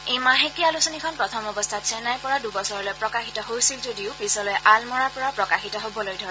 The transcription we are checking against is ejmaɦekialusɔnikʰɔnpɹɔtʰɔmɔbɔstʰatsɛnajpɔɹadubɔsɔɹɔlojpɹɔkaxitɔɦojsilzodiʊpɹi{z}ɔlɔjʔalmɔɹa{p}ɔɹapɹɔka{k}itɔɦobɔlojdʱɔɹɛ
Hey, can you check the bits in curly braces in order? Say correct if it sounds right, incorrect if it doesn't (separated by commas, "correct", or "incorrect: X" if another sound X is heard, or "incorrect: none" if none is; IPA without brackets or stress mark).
incorrect: s, correct, incorrect: x